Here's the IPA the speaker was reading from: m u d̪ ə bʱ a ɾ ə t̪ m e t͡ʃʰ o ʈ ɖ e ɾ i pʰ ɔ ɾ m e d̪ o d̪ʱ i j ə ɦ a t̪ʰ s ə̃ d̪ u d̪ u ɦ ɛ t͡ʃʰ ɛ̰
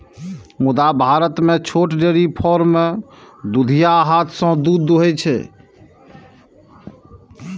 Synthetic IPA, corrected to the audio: m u d̪ a bʱ a ɾ ə t̪ m e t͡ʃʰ o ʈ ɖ e ɾ i pʰ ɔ ɾ m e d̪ u d̪ʱ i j a ɦ a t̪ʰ s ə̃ d̪ u d̪ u ɦ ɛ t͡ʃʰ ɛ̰